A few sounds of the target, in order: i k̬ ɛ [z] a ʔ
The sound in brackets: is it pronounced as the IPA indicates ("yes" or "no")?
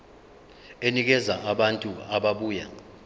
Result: yes